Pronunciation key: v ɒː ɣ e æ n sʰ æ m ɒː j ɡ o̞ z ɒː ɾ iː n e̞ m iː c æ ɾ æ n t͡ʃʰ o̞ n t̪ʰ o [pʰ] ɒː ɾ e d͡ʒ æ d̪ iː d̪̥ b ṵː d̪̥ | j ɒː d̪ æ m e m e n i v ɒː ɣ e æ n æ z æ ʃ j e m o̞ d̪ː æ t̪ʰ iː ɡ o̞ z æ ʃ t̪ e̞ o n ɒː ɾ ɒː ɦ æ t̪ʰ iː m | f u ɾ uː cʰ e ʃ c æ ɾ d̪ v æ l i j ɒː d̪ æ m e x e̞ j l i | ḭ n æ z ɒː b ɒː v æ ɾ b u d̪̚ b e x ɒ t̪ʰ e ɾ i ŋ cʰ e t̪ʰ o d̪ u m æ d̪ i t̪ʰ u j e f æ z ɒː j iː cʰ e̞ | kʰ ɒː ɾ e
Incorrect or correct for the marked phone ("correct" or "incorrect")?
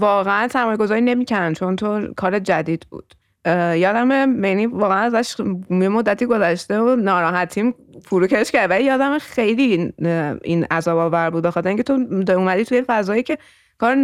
incorrect